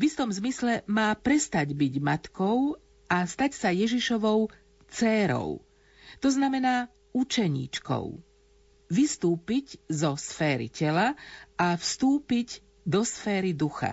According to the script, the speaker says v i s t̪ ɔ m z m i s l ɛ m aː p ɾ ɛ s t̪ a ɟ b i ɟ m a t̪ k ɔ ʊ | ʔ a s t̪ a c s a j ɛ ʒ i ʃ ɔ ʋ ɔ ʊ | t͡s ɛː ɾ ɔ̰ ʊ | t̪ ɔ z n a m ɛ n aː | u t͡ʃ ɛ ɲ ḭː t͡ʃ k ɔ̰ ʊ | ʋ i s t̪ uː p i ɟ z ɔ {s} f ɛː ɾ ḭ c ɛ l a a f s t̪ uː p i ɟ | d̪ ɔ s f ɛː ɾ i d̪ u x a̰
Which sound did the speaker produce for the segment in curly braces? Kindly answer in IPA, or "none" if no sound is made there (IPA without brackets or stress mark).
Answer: s